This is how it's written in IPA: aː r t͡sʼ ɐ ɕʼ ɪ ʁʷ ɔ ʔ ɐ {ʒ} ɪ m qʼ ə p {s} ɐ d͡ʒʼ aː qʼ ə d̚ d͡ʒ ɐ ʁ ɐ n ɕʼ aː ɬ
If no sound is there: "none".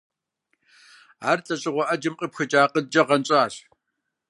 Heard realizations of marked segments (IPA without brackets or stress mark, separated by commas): d͡ʒ, x